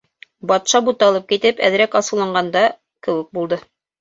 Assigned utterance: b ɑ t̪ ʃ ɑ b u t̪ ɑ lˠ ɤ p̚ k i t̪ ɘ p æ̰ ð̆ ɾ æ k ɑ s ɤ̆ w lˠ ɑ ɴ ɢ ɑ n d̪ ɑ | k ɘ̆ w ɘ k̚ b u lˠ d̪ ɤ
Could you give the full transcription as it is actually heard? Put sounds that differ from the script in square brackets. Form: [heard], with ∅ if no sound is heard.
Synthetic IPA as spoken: b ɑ t̪ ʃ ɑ b u t̪ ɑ lˠ ɤ p̚ k i t̪ ɘ p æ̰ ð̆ ɾ æ k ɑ s ɤ̆ w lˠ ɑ ɴ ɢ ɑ n d̪ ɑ | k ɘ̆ w ɘ k̚ b u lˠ d̪ ɤ